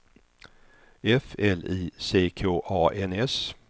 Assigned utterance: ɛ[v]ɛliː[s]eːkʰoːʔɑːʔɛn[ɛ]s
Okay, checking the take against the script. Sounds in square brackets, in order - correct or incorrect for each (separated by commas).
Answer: incorrect, correct, correct